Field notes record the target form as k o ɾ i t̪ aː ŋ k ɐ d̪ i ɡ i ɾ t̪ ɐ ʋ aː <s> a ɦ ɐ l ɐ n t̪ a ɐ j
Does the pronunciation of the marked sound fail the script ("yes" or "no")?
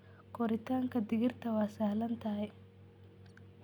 no